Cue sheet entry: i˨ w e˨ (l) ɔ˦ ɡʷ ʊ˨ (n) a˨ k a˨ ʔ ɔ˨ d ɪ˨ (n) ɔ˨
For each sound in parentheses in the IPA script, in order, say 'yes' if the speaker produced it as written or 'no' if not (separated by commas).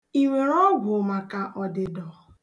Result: no, no, no